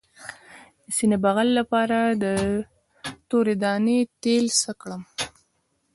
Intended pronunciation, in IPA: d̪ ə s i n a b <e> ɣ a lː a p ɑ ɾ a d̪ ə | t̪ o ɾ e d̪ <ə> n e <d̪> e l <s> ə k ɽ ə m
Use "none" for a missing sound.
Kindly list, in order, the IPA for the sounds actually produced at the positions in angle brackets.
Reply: a, ɑ, t̪, s

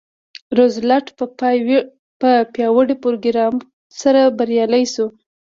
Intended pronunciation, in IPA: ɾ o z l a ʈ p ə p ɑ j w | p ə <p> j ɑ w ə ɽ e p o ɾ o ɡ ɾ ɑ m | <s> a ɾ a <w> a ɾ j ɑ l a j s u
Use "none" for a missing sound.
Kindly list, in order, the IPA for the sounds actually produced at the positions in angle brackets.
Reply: p, s, b

